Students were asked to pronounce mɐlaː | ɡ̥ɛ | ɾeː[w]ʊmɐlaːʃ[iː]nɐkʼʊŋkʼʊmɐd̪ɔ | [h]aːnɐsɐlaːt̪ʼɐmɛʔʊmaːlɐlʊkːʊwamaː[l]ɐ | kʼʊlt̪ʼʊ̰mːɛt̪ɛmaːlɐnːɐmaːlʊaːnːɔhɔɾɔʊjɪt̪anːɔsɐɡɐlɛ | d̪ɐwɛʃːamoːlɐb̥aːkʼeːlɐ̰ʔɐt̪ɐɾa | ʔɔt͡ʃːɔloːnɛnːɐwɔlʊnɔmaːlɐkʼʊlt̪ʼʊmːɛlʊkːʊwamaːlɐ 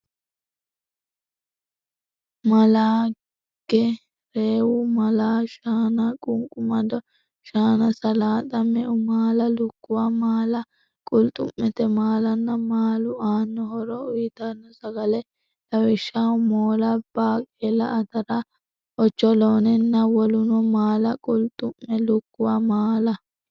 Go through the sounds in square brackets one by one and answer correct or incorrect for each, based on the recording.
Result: correct, incorrect: aː, incorrect: ʃ, correct

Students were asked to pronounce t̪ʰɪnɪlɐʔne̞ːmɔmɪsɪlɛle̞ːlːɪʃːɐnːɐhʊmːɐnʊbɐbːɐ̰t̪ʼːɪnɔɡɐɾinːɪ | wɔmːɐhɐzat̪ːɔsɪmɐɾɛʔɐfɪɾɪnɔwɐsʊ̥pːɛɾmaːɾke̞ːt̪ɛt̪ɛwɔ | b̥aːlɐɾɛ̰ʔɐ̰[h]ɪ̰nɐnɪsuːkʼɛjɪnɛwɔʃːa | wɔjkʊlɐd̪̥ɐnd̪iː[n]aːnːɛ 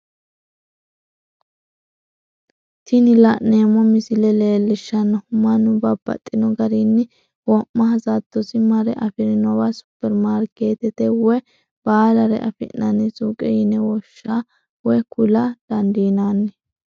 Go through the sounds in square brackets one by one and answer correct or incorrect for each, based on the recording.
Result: incorrect: f, correct

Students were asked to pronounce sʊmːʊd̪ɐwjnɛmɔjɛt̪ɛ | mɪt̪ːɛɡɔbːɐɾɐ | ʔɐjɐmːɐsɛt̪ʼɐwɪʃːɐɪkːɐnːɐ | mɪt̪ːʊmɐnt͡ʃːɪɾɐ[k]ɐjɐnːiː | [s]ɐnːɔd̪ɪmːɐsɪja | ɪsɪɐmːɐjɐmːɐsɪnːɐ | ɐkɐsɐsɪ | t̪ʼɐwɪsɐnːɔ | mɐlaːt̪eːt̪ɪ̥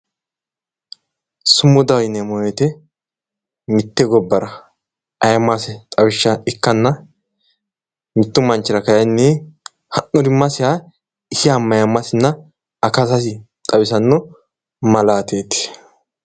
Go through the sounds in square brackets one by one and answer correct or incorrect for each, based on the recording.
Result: correct, incorrect: h

